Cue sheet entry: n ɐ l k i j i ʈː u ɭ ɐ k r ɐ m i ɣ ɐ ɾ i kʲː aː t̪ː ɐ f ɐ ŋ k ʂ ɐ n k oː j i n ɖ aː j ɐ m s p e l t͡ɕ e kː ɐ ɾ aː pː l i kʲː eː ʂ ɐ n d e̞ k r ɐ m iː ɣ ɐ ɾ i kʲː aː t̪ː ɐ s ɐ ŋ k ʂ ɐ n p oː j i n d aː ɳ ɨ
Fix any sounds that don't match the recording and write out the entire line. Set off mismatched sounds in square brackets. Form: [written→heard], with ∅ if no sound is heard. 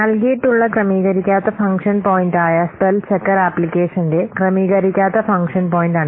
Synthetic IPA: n ɐ l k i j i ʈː u [ɭ→ɭː] ɐ k r ɐ m [i→iː] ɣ ɐ ɾ i kʲː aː t̪ː ɐ f ɐ ŋ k ʂ ɐ n [k→p] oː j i n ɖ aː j ɐ [m→∅] s p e l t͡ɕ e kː ɐ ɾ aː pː l i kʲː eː ʂ ɐ n d e̞ k r ɐ m iː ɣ ɐ ɾ i kʲː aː t̪ː ɐ [s→f] ɐ ŋ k ʂ ɐ n p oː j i n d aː ɳ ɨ